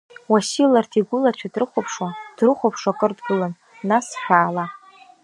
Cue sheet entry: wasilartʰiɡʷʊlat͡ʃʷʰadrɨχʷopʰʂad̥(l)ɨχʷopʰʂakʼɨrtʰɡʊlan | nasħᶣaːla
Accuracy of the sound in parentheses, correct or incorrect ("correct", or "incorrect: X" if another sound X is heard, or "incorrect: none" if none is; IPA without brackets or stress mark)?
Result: incorrect: r